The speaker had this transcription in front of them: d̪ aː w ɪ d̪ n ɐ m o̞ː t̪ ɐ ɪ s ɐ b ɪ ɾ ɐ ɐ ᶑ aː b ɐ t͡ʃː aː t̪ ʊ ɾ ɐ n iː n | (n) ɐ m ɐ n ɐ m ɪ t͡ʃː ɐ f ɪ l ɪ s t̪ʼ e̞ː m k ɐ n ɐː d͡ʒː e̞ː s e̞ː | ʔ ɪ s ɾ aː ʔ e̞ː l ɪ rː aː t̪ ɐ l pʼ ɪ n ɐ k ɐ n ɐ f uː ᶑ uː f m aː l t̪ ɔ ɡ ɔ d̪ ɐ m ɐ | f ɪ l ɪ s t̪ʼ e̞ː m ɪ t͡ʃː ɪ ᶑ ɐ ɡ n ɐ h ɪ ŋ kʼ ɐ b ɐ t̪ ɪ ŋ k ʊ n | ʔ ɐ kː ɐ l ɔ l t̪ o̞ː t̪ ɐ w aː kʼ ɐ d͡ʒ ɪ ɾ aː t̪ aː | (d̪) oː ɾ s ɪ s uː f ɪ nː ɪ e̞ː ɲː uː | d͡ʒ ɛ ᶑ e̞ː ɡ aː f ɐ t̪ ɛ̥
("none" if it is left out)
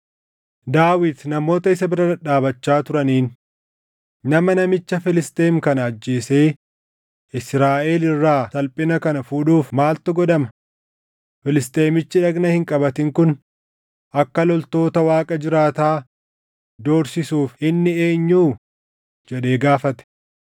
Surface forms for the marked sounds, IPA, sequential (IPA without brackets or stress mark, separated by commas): n, d̪